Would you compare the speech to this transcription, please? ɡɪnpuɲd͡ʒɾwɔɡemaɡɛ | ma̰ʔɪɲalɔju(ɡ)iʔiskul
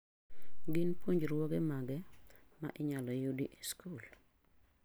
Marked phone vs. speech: incorrect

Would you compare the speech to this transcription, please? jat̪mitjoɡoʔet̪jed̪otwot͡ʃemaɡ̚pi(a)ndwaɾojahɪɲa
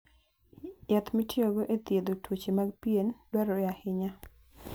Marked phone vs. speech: incorrect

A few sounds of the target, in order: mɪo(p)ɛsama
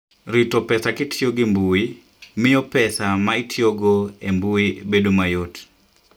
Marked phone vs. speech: correct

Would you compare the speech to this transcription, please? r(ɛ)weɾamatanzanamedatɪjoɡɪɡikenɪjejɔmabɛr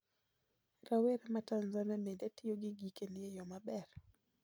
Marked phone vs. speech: incorrect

